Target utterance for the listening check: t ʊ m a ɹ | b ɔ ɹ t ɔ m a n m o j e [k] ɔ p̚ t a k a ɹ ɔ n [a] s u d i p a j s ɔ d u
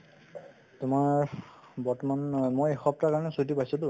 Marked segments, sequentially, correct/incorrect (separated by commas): incorrect, incorrect